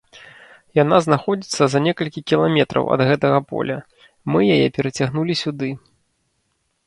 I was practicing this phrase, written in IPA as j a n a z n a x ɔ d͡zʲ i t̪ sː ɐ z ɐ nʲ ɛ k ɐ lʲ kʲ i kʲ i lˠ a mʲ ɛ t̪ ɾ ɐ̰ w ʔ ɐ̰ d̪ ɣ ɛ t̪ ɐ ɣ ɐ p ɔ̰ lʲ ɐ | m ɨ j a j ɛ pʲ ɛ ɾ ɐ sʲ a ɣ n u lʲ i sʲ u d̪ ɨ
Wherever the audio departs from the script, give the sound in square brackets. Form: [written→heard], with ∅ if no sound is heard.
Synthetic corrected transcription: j a n a z n a x ɔ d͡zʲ i t̪ sː ɐ z ɐ nʲ ɛ k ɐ lʲ kʲ i kʲ i lˠ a mʲ ɛ t̪ ɾ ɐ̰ w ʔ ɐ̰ d̪ ɣ ɛ t̪ ɐ ɣ ɐ p ɔ̰ lʲ ɐ | m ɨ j a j ɛ pʲ ɛ ɾ ɐ [sʲ→t͡sʲ] a ɣ n u lʲ i sʲ u d̪ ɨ